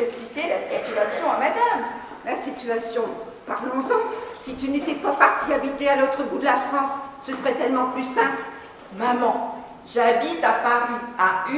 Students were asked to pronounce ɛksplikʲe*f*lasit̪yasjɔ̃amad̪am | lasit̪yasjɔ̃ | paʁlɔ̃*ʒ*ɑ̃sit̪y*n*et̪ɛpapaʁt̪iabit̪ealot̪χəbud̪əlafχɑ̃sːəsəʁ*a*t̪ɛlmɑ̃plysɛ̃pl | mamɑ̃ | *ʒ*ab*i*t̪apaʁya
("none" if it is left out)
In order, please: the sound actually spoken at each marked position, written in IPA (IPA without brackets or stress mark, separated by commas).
none, z, n, ɛ, ʒ, i